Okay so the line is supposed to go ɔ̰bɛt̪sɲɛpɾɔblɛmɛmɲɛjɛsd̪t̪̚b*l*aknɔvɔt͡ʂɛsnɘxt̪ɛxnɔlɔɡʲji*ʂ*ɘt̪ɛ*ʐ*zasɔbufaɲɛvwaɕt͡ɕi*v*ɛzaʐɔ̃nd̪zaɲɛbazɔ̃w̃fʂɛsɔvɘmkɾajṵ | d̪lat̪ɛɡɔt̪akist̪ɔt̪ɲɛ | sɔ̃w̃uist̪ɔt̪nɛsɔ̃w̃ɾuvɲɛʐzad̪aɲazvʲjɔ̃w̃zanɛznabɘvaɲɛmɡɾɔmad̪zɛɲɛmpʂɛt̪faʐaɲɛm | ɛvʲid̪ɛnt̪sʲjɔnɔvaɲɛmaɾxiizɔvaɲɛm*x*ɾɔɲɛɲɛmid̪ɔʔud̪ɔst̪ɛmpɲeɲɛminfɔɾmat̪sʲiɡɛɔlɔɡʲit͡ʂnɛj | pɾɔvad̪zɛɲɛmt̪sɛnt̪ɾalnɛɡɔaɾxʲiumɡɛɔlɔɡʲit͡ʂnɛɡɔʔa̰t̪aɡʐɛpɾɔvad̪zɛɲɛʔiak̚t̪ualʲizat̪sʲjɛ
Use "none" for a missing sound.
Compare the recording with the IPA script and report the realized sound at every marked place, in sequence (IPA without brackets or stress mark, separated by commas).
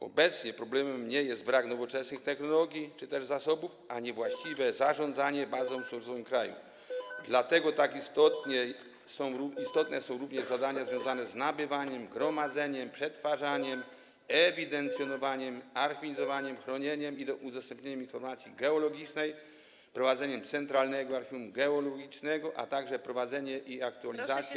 ɾ, t͡ʂ, ʐ, v, x